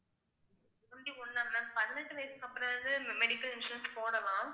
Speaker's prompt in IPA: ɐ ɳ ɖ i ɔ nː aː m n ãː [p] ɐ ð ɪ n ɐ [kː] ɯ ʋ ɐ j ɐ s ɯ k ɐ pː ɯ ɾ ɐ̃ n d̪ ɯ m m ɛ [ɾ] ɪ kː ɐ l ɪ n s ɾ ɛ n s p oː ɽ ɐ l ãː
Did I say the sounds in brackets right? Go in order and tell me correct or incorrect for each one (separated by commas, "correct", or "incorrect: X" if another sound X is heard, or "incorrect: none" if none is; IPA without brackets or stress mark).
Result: correct, incorrect: ʈː, incorrect: ɽ